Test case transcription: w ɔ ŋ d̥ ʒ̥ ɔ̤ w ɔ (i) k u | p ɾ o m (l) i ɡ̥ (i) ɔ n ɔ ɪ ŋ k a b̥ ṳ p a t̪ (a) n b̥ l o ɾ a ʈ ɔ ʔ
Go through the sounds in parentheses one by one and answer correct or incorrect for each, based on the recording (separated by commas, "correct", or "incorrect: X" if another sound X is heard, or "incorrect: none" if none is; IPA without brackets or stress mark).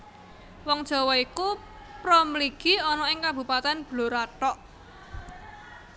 correct, correct, correct, incorrect: ɛ